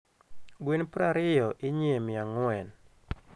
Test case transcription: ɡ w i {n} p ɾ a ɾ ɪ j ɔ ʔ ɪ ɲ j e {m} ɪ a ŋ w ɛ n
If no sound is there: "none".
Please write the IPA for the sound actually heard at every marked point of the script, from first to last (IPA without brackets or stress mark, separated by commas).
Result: n, m